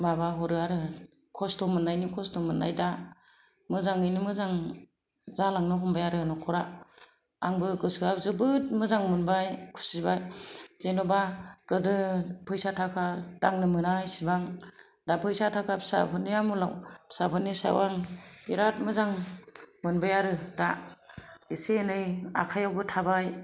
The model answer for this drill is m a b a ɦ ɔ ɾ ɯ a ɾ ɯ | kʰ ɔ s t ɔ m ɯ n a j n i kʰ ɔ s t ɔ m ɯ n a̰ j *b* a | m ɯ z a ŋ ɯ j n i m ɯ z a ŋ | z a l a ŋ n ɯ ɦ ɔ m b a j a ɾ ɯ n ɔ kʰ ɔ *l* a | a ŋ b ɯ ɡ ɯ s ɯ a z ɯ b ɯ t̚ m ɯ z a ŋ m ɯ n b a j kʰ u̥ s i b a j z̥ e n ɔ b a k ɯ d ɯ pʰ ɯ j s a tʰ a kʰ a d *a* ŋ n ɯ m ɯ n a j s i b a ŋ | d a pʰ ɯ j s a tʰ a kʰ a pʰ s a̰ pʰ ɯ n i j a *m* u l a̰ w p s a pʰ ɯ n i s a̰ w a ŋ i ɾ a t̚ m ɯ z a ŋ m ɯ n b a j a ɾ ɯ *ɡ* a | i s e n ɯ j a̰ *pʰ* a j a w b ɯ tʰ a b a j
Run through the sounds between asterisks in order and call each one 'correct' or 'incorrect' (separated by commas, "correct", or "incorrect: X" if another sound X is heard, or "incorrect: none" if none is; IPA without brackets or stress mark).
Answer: incorrect: d, incorrect: ɾ, correct, correct, incorrect: d, incorrect: kʰ